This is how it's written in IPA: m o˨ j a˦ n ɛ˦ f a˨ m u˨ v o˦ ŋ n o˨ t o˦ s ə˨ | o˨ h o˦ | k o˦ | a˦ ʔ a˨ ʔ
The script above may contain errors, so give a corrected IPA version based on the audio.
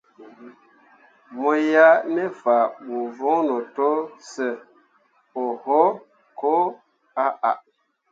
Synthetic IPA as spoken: m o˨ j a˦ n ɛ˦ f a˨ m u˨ v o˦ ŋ n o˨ t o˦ s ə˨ | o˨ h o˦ | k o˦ | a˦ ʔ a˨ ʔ